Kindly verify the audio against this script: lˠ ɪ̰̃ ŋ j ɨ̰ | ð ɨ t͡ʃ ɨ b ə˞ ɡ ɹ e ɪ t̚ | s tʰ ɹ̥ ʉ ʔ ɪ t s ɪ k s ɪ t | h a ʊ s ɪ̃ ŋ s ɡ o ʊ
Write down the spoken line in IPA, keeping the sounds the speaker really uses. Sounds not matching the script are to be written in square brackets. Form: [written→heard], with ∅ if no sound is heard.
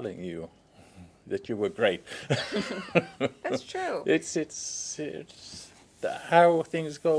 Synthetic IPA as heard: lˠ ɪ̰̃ ŋ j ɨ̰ | ð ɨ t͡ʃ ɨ [b→w] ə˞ ɡ ɹ e ɪ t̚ | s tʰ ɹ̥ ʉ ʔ ɪ t s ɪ [k→t] s ɪ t | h a ʊ [s→θ] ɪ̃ ŋ [s→z] ɡ o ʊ